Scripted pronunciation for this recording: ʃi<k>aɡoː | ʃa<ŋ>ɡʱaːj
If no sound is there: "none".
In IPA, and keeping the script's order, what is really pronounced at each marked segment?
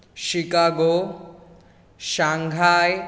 k, ŋ

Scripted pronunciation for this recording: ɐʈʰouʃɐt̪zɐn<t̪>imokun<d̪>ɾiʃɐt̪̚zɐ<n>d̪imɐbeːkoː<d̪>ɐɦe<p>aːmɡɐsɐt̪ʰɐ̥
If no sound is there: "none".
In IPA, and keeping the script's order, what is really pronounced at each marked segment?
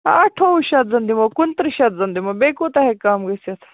d̪, t̪, n, t̪, k

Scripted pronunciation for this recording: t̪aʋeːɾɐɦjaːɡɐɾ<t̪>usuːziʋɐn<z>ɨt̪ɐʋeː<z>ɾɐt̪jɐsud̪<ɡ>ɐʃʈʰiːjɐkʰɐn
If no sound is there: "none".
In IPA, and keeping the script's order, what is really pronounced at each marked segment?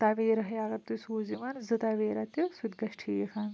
t̪, z, none, ɡ

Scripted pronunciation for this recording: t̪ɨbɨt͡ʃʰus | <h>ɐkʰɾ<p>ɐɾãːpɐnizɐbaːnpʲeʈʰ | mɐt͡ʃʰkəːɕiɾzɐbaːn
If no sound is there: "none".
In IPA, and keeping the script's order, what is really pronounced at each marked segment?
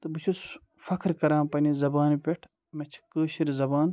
f, k

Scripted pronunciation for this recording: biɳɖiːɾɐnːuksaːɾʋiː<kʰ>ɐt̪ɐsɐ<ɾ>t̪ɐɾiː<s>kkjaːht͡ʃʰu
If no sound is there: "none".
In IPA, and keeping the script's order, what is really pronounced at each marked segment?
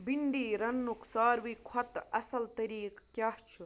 kʰ, l, none

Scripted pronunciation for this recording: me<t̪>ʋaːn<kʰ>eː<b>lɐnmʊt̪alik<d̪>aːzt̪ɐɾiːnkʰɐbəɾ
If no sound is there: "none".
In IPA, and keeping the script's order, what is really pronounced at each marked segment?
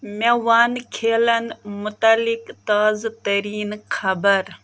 none, kʰ, none, t̪

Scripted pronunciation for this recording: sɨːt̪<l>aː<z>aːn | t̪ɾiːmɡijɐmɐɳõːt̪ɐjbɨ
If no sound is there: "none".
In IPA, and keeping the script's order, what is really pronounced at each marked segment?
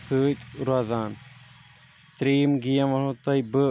ɾ, z

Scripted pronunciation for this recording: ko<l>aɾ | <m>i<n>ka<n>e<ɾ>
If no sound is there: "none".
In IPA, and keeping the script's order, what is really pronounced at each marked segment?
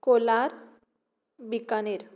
l, b, none, n, ɾ

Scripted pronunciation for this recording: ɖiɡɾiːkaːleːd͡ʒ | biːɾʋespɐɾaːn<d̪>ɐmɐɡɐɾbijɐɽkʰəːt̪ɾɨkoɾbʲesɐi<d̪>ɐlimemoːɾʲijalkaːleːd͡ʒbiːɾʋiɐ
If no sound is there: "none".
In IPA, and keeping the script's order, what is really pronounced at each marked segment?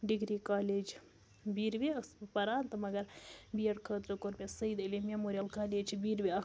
t̪, d̪

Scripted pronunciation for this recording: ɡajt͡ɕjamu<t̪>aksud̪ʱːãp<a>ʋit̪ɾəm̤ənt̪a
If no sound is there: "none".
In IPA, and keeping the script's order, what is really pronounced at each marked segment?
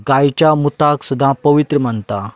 t̪, ə

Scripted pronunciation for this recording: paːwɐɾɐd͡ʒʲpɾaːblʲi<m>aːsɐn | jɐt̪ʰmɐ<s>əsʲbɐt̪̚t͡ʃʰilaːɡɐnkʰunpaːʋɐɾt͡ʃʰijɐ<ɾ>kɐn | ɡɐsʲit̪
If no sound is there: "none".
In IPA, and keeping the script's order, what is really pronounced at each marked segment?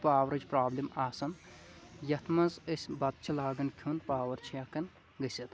m, z, none

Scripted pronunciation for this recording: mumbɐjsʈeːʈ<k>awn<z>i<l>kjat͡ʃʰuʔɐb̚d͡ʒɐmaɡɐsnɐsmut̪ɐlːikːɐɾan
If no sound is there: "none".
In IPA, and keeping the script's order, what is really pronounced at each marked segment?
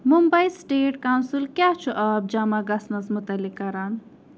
k, s, l

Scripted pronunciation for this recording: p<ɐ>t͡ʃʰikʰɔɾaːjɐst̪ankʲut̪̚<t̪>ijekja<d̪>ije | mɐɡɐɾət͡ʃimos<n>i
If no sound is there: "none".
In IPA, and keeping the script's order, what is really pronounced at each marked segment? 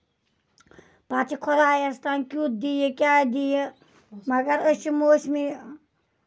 a, d̪, d̪, m

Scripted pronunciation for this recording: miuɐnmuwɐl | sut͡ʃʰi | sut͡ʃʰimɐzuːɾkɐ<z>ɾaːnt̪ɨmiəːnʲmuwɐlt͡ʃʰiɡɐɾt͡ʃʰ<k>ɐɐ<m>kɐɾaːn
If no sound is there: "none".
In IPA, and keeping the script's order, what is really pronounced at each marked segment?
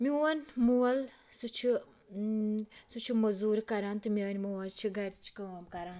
none, k, m

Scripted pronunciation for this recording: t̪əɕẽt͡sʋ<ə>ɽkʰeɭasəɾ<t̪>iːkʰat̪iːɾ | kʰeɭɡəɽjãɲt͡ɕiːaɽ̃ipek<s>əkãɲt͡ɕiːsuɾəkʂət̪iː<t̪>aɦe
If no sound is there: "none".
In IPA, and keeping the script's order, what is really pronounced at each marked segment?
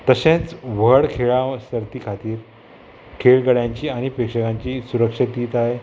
ə, t̪, ʂ, t̪

